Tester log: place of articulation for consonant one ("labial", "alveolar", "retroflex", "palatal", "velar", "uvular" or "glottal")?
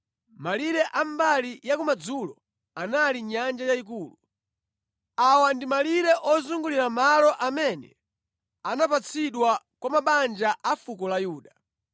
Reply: labial